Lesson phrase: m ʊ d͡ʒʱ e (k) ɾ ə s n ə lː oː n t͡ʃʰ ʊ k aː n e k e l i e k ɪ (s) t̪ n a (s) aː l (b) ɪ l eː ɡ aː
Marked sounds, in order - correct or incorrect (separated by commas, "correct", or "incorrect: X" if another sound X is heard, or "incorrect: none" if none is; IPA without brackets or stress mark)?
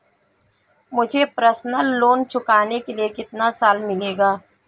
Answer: incorrect: p, incorrect: none, correct, incorrect: m